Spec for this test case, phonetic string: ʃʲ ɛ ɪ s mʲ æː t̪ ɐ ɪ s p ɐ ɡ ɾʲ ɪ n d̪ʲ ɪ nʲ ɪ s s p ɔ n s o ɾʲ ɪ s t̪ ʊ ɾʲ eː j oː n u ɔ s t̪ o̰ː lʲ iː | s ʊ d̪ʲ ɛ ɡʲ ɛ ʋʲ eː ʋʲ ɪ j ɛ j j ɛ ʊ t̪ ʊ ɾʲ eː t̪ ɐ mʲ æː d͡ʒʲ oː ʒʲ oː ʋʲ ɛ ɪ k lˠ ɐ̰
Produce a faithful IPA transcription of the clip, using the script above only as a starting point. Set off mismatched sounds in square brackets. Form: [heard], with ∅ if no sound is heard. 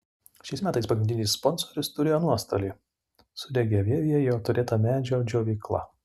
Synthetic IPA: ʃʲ ɛ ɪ s mʲ æː t̪ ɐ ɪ s p ɐ ɡ ɾʲ ɪ n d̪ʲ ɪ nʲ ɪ s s p ɔ n s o ɾʲ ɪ s t̪ ʊ ɾʲ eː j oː n u ɔ s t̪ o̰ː lʲ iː | s ʊ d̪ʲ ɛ ɡʲ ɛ ʋʲ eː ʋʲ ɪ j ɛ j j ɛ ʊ t̪ ʊ ɾʲ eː t̪ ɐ mʲ æː d͡ʒʲ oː [d͡ʒʲ] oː ʋʲ ɛ ɪ k lˠ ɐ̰